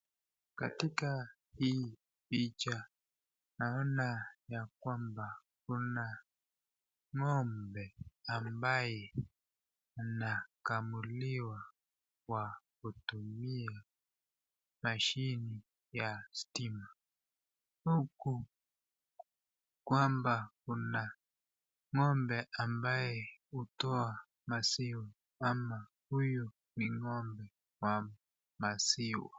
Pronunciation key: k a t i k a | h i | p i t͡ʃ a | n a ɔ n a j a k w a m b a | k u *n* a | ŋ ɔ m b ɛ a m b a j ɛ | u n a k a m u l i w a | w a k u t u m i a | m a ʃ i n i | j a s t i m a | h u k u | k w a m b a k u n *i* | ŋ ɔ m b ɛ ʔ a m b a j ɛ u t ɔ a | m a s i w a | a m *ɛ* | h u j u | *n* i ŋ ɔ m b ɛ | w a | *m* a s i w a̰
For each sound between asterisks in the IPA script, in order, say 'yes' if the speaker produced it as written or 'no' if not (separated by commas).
yes, no, no, yes, yes